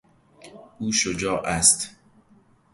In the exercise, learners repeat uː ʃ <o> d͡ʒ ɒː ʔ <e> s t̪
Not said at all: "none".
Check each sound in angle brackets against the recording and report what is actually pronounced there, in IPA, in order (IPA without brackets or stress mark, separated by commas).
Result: o, æ